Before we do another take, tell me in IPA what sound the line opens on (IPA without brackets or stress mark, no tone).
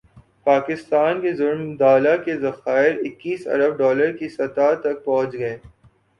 p